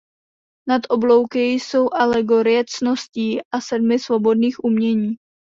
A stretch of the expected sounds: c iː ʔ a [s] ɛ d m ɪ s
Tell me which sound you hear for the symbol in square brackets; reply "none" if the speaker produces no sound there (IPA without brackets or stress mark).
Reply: s